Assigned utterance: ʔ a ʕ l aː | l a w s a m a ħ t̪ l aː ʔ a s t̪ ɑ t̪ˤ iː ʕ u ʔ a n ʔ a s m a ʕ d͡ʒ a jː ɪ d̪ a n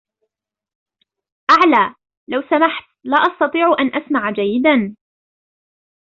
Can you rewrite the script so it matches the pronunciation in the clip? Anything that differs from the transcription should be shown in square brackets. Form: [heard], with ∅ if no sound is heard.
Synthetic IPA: ʔ a ʕ l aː | l a w s a m a ħ t̪ l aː ʔ [ɑ] s t̪ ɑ t̪ˤ iː ʕ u ʔ a n ʔ a s m a ʕ d͡ʒ a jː ɪ d̪ a n